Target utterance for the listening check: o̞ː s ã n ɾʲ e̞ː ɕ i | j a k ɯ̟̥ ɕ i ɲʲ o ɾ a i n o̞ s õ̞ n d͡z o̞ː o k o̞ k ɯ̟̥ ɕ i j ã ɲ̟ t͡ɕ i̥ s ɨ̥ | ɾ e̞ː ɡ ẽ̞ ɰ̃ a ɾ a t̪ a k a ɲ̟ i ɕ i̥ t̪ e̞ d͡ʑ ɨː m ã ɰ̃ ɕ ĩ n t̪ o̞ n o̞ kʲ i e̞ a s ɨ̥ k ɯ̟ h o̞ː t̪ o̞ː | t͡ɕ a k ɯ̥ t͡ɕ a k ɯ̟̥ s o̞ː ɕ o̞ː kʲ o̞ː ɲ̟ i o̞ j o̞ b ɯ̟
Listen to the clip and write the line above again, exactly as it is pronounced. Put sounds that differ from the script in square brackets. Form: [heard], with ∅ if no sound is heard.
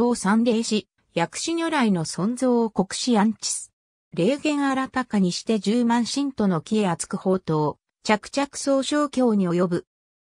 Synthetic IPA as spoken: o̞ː s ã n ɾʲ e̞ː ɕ i | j a k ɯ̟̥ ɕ i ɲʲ o ɾ a i n o̞ s õ̞ n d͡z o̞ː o k o̞ k ɯ̟̥ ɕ i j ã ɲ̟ t͡ɕ i̥ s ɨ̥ | ɾ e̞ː ɡ ẽ̞ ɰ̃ a ɾ a t̪ a k a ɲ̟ i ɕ i̥ t̪ e̞ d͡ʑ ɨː m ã ɰ̃ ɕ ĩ n t̪ o̞ n o̞ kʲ i e̞ a [t͡s] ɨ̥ k ɯ̟ h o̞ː t̪ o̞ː | t͡ɕ a k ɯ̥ t͡ɕ a k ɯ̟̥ s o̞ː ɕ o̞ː kʲ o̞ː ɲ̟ i o̞ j o̞ b ɯ̟